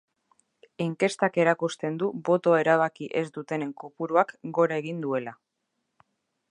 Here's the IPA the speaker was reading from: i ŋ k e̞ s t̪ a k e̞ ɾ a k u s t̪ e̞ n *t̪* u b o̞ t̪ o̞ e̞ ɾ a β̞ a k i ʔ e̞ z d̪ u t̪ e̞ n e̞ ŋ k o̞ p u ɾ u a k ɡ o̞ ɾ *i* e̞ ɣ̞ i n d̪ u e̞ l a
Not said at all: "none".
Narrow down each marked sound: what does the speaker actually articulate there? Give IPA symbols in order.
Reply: d̪, a

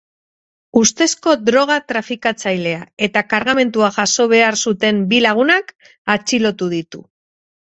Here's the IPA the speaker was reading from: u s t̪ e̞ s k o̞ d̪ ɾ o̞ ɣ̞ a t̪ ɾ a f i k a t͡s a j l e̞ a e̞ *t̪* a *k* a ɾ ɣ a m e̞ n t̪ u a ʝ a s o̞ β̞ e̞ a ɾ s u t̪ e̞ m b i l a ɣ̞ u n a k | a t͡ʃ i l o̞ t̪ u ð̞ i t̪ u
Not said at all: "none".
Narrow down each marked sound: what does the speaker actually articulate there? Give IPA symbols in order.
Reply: t̪, k

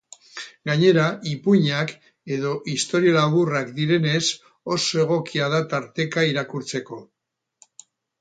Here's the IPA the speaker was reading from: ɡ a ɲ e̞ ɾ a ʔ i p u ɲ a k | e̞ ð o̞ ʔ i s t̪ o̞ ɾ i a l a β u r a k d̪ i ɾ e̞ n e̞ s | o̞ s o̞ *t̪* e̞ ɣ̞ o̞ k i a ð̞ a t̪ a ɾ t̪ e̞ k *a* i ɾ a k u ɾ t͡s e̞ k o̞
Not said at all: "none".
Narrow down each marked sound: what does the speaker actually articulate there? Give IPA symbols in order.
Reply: none, a

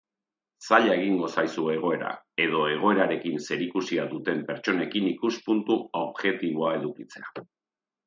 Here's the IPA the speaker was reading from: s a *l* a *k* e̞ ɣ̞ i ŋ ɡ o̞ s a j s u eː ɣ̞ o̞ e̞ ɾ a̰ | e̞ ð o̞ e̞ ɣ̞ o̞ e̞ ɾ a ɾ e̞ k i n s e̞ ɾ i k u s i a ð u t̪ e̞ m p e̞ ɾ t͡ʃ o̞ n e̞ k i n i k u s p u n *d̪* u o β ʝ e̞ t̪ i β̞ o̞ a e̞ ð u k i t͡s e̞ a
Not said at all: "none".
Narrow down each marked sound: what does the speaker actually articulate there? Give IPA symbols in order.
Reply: ʎ, none, t̪

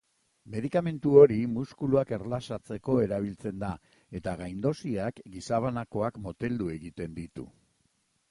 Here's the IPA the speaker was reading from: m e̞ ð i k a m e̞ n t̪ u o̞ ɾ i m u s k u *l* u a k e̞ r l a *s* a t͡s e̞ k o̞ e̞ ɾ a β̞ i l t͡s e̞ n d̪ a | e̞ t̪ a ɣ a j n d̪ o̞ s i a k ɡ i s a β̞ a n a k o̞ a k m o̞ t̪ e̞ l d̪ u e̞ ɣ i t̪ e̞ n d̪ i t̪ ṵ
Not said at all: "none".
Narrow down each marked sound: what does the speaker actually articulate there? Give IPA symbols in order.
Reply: l, s

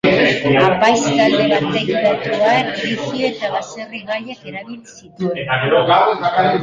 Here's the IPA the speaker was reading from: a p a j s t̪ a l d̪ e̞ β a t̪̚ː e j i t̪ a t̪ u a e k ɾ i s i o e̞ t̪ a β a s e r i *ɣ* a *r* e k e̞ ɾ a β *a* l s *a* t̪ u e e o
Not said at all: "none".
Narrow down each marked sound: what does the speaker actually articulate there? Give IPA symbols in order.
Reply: ɣ, ʎ, i, i

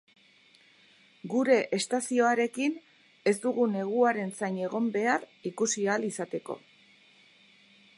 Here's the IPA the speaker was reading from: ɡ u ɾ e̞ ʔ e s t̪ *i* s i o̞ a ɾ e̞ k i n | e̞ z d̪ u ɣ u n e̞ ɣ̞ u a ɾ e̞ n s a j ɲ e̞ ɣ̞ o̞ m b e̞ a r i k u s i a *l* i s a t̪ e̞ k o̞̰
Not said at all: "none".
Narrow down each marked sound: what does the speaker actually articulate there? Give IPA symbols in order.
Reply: a, l

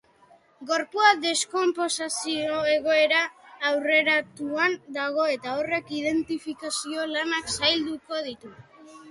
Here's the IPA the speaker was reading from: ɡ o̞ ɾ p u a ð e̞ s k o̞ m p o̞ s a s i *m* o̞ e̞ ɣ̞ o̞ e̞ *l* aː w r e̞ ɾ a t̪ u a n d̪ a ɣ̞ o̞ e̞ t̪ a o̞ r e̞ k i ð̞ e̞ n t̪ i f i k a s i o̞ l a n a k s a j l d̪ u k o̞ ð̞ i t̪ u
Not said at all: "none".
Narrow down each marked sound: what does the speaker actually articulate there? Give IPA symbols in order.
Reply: none, ɾ

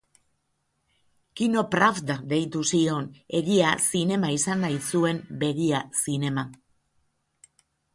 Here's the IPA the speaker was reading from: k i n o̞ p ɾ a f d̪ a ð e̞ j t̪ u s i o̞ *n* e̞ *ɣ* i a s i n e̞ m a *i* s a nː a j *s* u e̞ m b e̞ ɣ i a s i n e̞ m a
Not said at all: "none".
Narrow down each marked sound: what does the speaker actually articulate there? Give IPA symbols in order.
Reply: n, ɣ, i, s

